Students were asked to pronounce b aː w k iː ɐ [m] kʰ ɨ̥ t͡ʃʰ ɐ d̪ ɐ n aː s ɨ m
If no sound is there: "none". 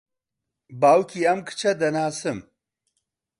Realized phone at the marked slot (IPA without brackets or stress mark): m